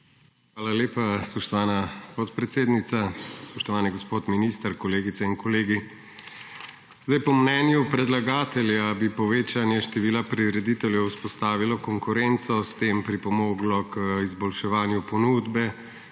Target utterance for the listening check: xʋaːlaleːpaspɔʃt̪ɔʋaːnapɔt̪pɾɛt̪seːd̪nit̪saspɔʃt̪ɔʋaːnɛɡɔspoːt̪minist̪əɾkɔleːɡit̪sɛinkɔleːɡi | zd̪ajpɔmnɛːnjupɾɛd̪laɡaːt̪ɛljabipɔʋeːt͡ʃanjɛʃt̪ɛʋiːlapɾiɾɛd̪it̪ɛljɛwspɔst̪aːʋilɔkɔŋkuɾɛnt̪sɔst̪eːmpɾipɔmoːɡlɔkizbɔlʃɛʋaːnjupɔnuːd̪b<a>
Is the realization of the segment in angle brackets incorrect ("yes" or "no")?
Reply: yes